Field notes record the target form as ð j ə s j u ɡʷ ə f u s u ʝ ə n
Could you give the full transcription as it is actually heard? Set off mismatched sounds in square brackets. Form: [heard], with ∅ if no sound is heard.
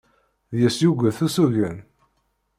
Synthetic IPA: ð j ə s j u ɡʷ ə [θ] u s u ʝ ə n